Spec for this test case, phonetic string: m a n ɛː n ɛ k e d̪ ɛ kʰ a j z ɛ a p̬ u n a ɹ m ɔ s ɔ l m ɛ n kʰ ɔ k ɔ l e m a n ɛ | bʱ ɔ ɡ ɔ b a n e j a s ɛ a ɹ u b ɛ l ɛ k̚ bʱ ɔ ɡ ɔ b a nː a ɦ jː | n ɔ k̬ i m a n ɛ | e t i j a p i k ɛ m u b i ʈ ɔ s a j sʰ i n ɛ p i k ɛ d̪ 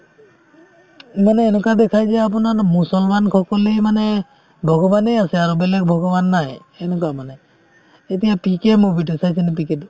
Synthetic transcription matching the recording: m a n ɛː n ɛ k a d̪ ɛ kʰ a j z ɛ a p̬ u n a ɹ m u s ɔ l m a n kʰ ɔ k ɔ l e m a n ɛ | bʱ ɔ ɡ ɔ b a n e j a s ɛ a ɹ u b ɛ l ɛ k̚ bʱ ɔ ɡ ɔ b a nː a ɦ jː | n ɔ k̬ a m a n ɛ | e t i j a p i k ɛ m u b i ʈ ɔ s a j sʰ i n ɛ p i k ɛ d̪